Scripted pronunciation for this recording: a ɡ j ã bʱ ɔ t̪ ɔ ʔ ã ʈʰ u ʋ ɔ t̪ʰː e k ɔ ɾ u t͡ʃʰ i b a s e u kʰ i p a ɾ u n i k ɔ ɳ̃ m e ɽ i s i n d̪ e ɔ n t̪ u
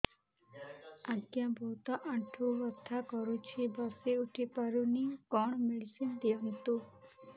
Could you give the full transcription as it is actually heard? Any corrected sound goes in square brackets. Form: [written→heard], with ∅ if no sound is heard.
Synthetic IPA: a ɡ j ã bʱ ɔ t̪ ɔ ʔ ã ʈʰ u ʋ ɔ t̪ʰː [e→a] k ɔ ɾ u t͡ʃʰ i b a s e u [kʰ→ʈʰ] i p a ɾ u n i k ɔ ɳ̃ m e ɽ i s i n d̪ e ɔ n t̪ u